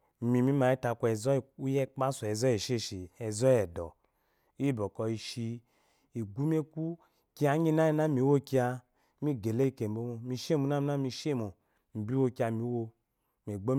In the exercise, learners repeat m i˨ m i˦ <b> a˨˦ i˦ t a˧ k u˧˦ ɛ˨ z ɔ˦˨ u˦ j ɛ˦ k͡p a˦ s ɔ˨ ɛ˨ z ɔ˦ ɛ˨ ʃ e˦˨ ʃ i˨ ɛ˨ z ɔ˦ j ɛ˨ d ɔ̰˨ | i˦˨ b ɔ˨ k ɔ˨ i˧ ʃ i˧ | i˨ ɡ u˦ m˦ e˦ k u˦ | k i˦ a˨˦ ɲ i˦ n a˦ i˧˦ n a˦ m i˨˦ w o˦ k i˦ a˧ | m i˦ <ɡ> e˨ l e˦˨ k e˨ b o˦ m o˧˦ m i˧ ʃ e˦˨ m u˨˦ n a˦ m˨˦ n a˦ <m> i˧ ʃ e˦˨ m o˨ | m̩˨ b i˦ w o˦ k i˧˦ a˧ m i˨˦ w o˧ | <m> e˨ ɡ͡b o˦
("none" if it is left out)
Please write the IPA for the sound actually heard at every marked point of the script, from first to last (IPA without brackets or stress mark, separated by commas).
m, ɡ, m, m